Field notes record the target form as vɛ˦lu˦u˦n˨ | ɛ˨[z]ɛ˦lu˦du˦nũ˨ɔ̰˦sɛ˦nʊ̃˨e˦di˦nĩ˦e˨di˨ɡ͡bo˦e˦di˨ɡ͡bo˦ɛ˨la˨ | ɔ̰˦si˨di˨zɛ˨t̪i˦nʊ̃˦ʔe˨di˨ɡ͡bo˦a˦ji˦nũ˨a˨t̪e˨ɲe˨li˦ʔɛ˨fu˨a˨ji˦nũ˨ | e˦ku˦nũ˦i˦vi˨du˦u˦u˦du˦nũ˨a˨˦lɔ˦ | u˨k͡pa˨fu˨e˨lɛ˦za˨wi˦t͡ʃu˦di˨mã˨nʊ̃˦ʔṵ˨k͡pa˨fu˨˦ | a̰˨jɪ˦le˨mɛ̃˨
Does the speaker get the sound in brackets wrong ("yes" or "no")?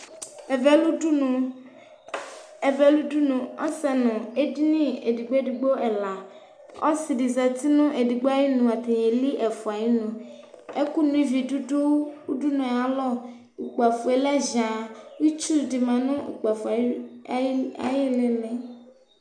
yes